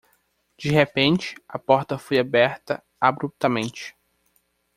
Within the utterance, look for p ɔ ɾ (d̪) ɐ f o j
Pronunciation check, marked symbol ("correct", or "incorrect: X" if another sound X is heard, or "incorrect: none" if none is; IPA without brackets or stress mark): incorrect: t̪